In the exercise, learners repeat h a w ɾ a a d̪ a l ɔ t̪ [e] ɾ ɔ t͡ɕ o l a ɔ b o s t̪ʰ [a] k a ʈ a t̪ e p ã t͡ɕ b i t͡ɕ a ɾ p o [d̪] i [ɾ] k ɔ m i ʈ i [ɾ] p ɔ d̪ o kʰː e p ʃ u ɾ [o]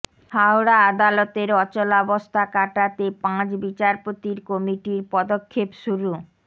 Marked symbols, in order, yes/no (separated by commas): yes, yes, no, yes, yes, no